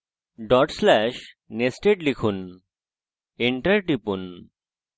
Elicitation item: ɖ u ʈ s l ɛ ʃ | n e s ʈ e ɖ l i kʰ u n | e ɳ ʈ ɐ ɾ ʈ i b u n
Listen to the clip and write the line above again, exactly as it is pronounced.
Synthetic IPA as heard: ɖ ɔ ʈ s l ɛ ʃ | n e s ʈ e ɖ l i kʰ u n | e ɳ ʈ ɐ ɾ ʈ i p u n